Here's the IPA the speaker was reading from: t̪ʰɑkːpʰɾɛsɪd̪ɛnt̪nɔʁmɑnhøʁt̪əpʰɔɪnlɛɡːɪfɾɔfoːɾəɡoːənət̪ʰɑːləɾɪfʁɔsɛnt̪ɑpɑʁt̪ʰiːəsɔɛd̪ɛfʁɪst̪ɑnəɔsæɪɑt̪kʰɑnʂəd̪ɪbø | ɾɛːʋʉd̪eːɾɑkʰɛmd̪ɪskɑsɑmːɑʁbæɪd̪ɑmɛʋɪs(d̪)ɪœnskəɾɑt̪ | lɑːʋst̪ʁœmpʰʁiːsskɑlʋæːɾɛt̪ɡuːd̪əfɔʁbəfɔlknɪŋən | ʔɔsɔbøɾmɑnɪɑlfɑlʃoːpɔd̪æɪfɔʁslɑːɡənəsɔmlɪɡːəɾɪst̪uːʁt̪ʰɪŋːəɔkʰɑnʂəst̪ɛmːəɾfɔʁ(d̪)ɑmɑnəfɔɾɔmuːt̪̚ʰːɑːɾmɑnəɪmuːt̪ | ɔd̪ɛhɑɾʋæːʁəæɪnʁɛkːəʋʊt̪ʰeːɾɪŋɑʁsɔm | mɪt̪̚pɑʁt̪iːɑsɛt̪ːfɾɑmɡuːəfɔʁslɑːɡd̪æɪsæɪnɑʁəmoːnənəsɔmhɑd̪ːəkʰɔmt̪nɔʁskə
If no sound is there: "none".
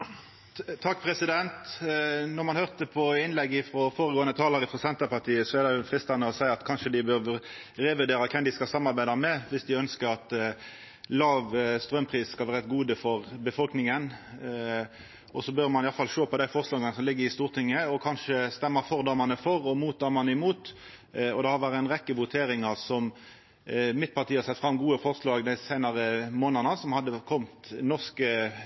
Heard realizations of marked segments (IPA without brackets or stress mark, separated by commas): d̪, d̪